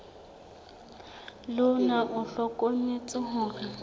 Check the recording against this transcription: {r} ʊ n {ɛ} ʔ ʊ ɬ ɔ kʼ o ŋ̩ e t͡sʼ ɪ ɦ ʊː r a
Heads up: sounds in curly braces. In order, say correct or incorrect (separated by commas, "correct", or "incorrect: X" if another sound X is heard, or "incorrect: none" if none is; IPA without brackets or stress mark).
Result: incorrect: l, incorrect: a